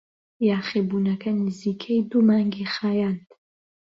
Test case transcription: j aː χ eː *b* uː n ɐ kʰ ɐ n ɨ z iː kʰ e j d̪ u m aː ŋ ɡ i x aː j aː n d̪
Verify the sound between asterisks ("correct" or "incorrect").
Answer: correct